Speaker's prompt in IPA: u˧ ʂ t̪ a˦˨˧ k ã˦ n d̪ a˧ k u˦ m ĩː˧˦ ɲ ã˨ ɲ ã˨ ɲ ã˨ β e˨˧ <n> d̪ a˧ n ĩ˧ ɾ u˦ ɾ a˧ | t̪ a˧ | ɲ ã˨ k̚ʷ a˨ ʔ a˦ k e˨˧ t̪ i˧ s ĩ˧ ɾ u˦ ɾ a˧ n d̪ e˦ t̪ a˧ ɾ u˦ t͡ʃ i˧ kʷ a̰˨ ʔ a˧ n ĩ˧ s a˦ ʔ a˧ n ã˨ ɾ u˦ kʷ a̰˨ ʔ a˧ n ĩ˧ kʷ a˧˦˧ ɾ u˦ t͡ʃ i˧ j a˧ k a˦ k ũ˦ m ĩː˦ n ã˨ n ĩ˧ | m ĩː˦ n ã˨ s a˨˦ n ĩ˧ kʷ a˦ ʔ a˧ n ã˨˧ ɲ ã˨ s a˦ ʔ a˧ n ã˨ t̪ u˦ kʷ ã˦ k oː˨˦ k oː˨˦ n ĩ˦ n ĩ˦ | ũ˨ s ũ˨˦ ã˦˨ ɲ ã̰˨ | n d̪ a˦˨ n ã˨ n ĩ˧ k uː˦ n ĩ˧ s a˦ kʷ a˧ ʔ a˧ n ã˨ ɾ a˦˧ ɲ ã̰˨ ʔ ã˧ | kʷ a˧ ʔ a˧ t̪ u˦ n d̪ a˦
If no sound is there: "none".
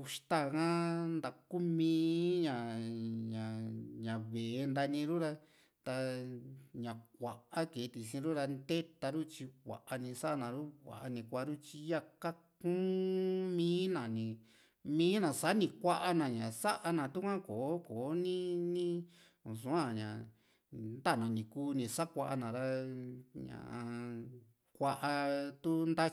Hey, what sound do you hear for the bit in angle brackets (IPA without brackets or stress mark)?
n